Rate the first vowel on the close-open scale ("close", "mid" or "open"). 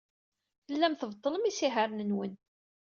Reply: mid